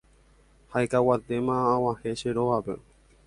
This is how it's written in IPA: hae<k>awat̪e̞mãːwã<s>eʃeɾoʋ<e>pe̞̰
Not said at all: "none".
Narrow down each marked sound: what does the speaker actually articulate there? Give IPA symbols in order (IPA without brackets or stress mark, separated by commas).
k, h, a